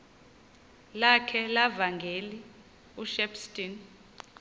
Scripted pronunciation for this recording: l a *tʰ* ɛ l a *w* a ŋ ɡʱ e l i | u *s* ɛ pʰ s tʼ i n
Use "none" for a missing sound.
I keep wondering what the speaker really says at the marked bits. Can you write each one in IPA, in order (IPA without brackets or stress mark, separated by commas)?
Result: kʰ, v, ʃ